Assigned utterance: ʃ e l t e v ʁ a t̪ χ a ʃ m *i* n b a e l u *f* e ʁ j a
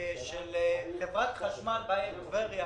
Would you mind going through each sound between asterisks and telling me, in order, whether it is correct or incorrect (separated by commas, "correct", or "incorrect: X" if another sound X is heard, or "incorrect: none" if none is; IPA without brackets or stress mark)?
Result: incorrect: a, incorrect: v